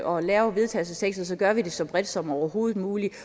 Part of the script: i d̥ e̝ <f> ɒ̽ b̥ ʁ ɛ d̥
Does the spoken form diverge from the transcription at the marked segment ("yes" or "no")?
yes